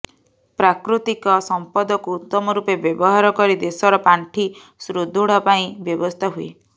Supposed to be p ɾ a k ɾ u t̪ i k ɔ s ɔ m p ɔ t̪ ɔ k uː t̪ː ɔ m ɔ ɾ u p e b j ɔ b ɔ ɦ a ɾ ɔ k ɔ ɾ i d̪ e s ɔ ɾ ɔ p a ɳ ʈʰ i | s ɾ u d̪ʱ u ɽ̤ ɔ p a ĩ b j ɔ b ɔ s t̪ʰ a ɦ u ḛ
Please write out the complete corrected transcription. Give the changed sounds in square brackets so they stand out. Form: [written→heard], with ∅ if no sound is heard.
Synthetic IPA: p ɾ a k ɾ u t̪ i k ɔ s ɔ m p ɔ [t̪→d̪] ɔ k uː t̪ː ɔ m ɔ ɾ u p e b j ɔ b ɔ ɦ a ɾ ɔ k ɔ ɾ i d̪ e s ɔ ɾ ɔ p a ɳ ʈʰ i | s ɾ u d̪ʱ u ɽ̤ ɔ p a ĩ b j ɔ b ɔ s t̪ʰ a ɦ u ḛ